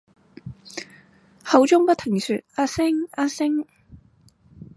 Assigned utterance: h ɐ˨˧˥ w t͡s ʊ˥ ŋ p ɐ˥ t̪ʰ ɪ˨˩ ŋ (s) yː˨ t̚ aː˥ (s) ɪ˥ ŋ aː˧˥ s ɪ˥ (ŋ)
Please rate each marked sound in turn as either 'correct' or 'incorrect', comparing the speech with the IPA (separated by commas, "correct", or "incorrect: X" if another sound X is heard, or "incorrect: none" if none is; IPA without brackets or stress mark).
correct, correct, correct